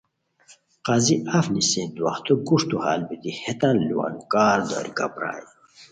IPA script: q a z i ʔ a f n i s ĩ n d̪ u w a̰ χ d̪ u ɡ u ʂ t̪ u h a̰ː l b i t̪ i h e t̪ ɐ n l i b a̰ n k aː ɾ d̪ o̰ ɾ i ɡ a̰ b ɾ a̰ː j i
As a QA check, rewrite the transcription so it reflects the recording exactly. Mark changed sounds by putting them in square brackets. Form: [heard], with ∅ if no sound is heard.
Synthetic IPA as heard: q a z i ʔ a f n i s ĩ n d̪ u w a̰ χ [t̪] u ɡ u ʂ t̪ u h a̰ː l b i t̪ i h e t̪ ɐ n l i [w] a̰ n k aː ɾ d̪ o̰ ɾ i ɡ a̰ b ɾ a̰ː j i